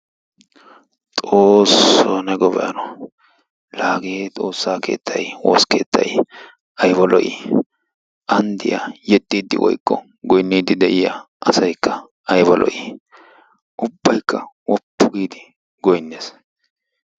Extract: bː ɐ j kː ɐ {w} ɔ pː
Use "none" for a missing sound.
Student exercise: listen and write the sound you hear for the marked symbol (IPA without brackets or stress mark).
w